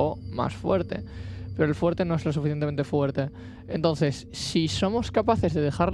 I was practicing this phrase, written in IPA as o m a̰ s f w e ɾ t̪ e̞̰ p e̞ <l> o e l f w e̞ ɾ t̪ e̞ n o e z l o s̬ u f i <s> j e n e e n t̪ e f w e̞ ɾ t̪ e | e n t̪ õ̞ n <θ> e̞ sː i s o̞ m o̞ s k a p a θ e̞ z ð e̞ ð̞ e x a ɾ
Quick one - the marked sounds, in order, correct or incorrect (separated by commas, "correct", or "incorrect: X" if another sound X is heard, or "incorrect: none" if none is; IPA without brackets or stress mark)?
incorrect: ɾ, incorrect: θ, correct